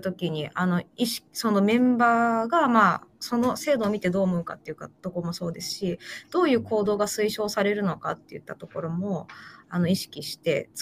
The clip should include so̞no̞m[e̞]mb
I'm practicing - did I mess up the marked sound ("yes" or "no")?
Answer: yes